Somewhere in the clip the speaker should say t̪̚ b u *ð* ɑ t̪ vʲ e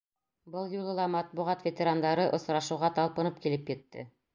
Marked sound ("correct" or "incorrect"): incorrect